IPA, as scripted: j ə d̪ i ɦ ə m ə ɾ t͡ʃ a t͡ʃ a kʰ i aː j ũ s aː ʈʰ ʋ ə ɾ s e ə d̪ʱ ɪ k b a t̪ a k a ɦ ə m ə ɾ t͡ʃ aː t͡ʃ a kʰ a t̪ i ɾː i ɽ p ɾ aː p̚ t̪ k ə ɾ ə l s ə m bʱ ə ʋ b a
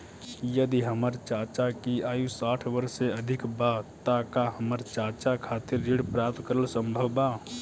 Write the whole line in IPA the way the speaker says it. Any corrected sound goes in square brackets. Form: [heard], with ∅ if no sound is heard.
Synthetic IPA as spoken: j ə d̪ i ɦ ə m ə ɾ t͡ʃ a t͡ʃ a [k] i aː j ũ s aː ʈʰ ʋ ə ɾ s e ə d̪ʱ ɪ k b a t̪ a k a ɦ ə m ə ɾ t͡ʃ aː t͡ʃ a kʰ a t̪ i ɾː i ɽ p ɾ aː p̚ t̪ k ə ɾ ə l s ə m bʱ ə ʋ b a